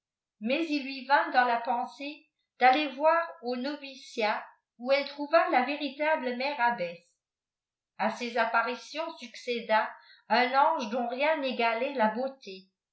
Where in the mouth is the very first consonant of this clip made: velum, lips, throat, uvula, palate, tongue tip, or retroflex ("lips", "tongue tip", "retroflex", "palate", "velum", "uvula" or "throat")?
lips